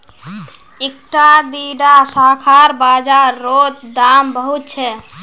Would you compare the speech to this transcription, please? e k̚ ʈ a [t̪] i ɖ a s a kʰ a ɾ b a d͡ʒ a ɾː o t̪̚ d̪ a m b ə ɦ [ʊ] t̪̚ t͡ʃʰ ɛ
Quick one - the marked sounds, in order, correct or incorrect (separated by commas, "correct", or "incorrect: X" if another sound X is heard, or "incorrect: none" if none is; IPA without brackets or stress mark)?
incorrect: d̪, incorrect: u